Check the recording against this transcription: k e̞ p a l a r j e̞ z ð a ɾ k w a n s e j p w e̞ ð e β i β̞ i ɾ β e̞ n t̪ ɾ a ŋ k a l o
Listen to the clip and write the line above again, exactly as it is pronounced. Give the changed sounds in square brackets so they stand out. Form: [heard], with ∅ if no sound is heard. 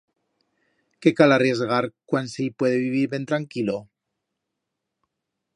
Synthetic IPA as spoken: k e̞ [k] a l a r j e̞ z [ɣ] a ɾ k w a n s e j p w e̞ ð e β i β̞ i ɾ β e̞ n t̪ ɾ a ŋ k [i] l o